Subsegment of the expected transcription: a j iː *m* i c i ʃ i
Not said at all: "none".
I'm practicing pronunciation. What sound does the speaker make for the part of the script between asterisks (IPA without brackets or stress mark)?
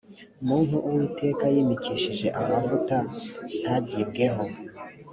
m